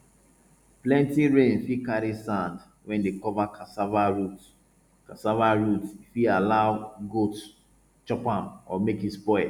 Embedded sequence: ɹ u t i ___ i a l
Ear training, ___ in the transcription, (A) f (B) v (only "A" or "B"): A